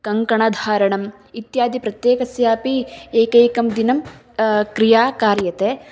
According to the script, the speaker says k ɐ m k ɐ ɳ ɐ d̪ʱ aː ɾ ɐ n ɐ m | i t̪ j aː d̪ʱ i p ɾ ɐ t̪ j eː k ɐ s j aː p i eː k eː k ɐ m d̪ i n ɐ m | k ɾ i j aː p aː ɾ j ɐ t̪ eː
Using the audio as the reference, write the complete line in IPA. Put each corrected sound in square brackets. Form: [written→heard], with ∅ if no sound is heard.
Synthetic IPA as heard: k ɐ [m→ŋ] k ɐ ɳ ɐ d̪ʱ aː ɾ ɐ [n→ɳ] ɐ m | i t̪ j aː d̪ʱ i p ɾ ɐ t̪ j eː k ɐ s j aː p i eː k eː k ɐ m d̪ i n ɐ m | k ɾ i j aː [p→k] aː ɾ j ɐ t̪ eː